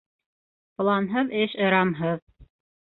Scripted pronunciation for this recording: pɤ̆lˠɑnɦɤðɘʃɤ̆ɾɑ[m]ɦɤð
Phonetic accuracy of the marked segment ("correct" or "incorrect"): correct